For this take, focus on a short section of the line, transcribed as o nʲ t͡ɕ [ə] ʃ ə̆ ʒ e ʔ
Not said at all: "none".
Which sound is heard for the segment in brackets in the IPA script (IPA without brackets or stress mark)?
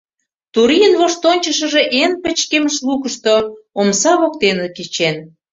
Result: ə